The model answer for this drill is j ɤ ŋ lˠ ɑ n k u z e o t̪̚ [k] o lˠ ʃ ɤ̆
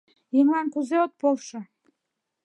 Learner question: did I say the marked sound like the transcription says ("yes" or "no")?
no